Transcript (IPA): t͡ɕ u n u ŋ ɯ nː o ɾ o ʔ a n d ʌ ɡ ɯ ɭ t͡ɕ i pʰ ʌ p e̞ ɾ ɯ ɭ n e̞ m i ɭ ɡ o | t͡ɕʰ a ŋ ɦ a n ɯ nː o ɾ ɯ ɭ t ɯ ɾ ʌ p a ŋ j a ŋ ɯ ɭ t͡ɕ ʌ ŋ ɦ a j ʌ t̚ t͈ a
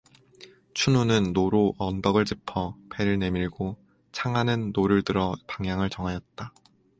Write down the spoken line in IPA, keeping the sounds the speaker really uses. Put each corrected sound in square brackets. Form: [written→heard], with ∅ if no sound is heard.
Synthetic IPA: [t͡ɕ→t͡ɕʰ] u n u [ŋ→n] ɯ nː o ɾ o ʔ [a→ʌ] n d ʌ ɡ ɯ ɭ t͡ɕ i pʰ ʌ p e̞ ɾ ɯ ɭ n e̞ m i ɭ ɡ o | t͡ɕʰ a ŋ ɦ a n ɯ nː o ɾ ɯ ɭ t ɯ ɾ ʌ p a ŋ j a ŋ ɯ ɭ t͡ɕ ʌ ŋ ɦ a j ʌ t̚ t͈ a